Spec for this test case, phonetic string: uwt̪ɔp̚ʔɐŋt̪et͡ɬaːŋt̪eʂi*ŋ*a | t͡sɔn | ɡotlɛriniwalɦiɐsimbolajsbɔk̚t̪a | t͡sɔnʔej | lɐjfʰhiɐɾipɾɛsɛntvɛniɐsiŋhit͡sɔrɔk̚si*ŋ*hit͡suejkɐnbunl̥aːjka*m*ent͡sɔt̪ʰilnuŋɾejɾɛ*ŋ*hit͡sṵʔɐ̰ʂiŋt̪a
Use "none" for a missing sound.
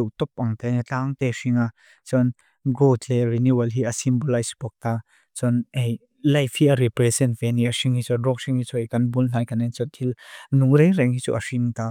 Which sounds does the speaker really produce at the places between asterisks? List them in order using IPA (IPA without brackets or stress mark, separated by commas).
ŋ, ŋ, n, ŋ